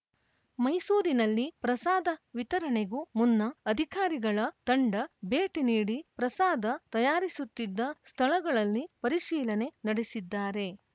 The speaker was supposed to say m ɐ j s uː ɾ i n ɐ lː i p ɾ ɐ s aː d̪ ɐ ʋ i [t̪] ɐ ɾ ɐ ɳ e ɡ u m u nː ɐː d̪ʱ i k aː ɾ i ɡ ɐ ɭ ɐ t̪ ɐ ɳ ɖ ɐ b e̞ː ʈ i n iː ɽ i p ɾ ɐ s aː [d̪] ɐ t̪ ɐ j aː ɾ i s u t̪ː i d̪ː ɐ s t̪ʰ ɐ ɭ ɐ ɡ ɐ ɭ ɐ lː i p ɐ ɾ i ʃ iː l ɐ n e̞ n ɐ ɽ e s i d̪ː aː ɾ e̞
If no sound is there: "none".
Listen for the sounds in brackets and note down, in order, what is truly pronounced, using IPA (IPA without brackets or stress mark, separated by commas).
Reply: t̪, d̪